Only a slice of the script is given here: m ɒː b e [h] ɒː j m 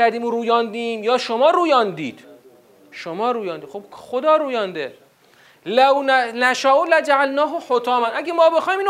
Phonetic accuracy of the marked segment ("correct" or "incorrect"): incorrect